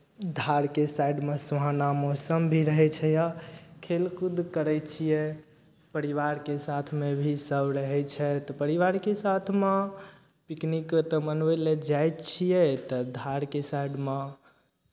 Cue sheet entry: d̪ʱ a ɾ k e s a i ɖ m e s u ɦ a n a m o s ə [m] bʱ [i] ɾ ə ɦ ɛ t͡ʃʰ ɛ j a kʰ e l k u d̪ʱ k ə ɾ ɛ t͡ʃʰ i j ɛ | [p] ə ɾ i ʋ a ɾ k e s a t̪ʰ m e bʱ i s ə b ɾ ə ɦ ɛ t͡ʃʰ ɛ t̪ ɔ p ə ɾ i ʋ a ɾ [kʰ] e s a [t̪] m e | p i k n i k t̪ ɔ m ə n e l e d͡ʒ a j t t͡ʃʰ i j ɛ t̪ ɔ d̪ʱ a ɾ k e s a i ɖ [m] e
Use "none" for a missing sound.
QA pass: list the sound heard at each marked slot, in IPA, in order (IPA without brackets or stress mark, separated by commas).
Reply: m, i, p, k, t̪ʰ, m